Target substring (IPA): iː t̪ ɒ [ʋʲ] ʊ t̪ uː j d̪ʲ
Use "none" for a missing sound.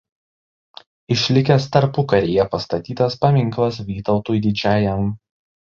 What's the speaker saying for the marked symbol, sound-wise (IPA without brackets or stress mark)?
none